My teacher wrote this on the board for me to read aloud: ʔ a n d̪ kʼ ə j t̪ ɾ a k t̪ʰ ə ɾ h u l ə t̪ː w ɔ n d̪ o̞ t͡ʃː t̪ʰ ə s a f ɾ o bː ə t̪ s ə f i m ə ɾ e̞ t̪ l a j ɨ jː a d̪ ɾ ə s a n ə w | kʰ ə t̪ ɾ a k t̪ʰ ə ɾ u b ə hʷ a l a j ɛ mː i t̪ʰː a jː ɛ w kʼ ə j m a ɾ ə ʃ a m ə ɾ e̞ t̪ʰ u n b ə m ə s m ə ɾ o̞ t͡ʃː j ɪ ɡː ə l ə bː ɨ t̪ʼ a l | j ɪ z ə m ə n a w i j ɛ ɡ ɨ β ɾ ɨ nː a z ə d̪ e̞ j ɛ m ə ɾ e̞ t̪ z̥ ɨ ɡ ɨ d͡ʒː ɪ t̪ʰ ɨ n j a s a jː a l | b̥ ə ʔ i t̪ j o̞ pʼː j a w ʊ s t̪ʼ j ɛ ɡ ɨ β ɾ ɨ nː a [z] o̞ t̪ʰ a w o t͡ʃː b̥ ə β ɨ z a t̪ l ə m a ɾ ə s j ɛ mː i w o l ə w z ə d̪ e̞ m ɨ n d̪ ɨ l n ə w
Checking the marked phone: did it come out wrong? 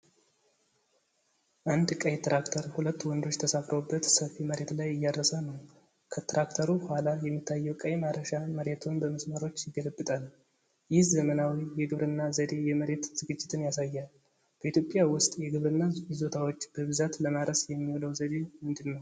no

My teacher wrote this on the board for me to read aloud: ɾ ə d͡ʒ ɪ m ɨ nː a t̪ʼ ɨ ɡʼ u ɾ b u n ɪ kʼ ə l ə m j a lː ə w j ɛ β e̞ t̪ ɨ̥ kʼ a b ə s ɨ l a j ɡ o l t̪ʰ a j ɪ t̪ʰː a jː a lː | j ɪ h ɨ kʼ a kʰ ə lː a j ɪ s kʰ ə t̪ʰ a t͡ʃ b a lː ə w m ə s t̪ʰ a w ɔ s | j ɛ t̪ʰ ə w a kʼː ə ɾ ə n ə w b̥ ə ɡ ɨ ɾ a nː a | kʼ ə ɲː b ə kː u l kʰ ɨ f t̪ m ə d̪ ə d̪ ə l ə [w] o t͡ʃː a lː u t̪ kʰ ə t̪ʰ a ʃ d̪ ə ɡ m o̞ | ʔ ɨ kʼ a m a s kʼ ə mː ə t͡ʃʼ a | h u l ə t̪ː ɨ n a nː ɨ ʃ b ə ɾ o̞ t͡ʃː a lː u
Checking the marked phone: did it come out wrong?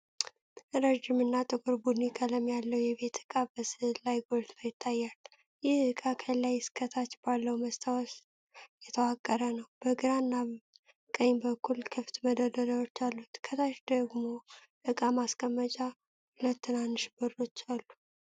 no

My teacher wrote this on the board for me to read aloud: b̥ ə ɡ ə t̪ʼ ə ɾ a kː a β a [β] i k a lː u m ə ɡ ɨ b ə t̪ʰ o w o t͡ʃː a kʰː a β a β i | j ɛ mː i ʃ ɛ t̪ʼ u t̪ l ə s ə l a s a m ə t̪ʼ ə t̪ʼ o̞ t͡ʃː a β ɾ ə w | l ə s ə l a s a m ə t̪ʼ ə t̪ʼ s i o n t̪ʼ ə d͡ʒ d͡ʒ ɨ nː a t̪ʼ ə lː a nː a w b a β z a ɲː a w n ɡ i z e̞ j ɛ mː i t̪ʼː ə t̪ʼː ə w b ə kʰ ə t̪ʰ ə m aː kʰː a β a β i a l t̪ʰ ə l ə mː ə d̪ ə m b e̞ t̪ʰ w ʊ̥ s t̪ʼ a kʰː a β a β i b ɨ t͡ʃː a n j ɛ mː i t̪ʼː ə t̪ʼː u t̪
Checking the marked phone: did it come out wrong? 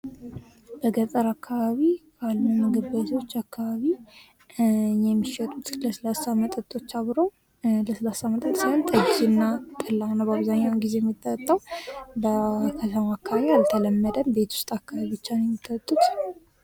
no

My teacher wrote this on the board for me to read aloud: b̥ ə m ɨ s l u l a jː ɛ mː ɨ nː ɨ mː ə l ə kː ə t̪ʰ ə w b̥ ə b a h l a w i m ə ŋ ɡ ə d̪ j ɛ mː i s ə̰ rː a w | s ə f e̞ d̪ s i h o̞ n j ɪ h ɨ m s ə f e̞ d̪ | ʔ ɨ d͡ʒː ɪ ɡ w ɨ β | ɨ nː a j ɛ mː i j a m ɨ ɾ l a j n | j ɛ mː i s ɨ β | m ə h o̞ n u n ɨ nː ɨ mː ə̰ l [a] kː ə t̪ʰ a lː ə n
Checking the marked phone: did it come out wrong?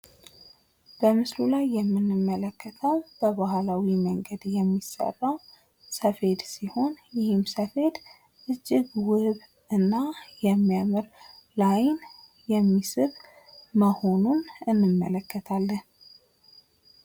yes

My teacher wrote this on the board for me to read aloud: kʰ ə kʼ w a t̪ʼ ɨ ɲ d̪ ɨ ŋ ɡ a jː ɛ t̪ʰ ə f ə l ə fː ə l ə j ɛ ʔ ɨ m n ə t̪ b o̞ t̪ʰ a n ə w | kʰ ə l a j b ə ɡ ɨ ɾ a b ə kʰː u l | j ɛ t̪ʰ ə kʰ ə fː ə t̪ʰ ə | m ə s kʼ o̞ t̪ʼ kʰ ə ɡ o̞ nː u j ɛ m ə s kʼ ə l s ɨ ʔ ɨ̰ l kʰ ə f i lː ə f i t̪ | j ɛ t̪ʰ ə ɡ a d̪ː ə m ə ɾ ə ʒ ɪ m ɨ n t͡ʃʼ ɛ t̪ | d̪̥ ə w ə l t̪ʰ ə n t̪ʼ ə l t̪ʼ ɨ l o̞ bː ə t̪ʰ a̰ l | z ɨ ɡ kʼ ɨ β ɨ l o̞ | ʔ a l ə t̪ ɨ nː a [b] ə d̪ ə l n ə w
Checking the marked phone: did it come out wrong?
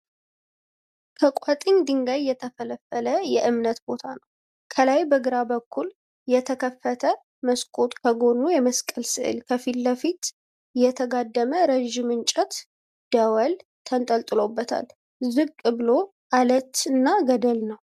yes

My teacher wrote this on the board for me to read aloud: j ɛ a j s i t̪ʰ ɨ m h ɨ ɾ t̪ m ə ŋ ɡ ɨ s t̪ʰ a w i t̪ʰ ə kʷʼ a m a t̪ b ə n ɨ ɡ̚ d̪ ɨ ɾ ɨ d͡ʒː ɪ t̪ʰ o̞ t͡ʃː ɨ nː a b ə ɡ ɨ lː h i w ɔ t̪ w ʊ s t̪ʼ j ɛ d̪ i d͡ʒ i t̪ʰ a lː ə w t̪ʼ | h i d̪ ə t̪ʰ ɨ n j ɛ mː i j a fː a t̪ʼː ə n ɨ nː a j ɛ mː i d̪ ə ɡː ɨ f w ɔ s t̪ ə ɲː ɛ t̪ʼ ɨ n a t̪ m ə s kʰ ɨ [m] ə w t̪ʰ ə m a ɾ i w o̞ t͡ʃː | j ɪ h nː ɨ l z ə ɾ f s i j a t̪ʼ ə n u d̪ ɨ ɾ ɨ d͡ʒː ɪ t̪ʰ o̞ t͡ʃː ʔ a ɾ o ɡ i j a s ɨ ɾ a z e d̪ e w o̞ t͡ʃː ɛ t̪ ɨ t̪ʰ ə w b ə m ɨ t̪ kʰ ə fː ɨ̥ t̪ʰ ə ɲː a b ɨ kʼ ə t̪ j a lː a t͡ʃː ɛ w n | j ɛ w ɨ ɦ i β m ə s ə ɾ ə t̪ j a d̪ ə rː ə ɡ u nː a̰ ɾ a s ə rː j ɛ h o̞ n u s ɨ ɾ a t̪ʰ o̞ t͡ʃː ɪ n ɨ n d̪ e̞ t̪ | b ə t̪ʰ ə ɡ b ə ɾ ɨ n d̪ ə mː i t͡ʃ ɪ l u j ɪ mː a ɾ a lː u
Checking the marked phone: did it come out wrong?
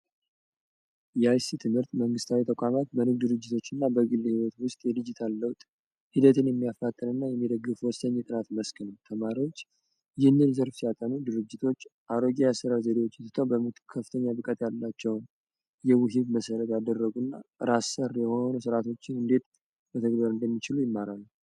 yes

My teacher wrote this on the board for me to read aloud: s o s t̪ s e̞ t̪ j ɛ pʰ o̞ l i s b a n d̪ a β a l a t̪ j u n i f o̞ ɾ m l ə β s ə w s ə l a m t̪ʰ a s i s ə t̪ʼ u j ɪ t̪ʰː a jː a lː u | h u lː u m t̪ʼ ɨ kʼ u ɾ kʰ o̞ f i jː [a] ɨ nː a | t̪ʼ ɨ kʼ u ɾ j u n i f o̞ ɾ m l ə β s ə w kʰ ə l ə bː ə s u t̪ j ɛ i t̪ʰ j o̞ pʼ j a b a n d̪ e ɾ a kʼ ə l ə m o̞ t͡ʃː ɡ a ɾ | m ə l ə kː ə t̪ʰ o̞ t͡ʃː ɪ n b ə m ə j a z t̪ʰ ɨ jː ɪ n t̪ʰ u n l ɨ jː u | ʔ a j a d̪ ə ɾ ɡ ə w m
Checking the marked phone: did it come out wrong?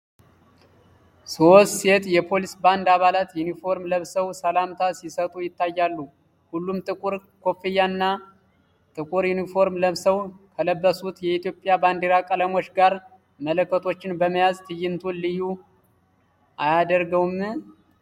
no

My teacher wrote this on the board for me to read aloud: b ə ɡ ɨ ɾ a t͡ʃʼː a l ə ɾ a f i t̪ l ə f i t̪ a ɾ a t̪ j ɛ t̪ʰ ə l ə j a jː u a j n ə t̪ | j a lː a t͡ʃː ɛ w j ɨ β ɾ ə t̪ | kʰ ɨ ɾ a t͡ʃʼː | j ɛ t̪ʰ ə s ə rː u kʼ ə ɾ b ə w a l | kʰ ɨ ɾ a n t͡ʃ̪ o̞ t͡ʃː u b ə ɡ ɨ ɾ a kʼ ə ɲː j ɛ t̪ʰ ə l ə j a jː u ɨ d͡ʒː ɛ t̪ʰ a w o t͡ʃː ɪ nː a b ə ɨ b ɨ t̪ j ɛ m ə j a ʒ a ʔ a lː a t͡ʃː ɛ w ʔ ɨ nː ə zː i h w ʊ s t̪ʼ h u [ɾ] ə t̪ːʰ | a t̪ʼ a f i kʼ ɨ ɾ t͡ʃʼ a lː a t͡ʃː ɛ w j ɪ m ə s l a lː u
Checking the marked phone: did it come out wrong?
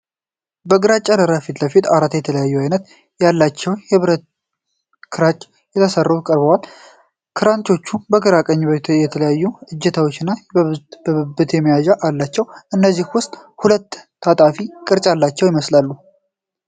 yes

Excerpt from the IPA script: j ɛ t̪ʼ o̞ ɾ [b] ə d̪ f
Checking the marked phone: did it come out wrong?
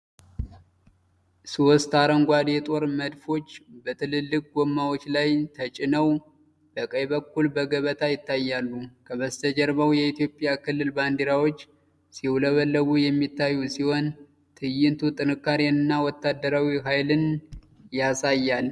yes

